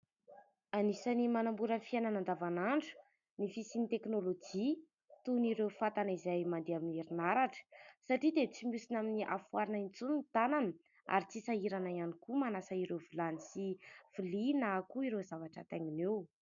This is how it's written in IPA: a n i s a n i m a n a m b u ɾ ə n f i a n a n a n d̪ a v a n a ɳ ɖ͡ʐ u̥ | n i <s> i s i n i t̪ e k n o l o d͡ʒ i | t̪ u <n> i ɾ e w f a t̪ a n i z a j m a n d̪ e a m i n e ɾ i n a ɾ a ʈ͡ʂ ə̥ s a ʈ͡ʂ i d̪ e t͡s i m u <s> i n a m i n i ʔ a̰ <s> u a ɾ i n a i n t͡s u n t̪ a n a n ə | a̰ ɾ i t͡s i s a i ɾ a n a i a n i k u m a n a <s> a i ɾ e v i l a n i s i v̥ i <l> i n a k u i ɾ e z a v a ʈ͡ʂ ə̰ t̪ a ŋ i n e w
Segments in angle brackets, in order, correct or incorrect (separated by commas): incorrect, correct, correct, incorrect, correct, correct